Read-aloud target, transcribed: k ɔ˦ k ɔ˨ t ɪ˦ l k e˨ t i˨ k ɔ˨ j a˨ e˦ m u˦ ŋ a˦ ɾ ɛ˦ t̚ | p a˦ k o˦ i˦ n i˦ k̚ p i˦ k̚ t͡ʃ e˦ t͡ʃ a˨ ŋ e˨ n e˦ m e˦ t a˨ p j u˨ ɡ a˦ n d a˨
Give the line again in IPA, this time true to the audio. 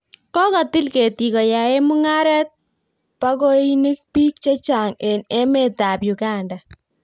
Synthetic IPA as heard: k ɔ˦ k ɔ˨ t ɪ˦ l k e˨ t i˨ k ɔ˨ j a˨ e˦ m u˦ ŋ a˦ ɾ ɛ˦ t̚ | p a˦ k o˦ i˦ n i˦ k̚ p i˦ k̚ t͡ʃ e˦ t͡ʃ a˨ ŋ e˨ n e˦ m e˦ t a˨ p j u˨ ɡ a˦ n d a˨